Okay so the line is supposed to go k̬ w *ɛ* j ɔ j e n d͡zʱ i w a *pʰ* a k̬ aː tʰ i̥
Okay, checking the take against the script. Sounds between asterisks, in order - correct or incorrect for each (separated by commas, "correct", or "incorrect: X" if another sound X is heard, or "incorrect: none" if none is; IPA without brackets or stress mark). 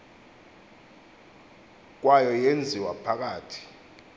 incorrect: a, correct